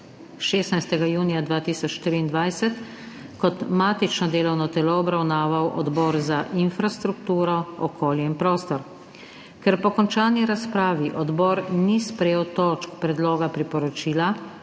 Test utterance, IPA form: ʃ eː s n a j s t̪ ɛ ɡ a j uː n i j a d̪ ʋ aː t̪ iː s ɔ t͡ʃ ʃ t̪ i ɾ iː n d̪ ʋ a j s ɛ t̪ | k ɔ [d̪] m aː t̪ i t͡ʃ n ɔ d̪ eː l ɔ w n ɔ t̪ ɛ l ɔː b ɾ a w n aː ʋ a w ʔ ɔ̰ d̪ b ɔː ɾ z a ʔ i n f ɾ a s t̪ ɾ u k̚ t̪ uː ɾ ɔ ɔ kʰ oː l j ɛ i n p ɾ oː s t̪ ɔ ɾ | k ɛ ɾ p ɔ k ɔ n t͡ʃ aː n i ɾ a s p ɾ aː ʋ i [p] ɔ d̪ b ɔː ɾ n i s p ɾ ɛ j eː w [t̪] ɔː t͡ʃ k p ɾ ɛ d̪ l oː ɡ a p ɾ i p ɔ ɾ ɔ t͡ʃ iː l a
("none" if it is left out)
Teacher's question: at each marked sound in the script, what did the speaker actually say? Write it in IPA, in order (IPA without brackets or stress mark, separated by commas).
t̪, ʔ, t̪